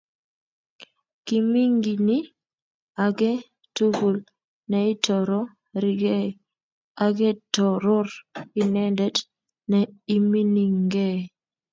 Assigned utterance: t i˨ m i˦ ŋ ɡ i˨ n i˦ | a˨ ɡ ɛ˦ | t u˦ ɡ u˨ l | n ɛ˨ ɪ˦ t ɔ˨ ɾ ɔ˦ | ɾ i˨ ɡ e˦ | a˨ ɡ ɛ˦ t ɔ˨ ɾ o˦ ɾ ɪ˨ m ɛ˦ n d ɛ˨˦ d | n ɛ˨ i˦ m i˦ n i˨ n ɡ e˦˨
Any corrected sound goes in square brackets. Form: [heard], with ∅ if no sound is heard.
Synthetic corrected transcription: [k] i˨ m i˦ ŋ ɡ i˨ n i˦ | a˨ ɡ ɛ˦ | t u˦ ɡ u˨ l | n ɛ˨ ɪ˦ t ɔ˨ ɾ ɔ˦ | ɾ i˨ ɡ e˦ | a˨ ɡ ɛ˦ t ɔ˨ ɾ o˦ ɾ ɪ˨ [n] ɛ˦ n d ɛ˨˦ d | n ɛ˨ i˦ m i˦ n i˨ [ŋ] ɡ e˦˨